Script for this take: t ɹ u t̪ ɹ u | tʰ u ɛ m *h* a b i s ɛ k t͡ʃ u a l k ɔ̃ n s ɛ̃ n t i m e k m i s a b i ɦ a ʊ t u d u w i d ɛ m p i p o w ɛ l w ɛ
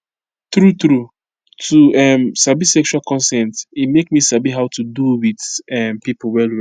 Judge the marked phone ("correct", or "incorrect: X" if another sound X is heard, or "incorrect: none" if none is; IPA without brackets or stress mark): incorrect: s